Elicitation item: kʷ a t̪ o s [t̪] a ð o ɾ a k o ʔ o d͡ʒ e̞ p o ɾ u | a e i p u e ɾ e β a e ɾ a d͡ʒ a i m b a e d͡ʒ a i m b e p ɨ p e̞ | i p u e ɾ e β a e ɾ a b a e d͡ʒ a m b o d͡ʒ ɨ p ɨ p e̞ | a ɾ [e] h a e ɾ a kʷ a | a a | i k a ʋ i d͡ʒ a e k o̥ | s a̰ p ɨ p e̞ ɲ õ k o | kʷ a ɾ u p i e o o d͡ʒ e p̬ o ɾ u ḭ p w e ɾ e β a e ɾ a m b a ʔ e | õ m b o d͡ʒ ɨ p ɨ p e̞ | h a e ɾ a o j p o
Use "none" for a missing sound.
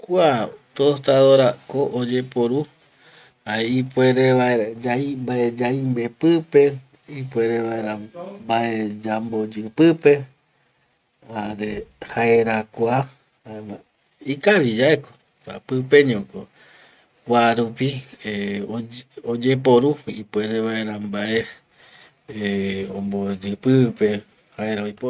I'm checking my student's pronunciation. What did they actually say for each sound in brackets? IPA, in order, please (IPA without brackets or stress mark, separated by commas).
t̪, e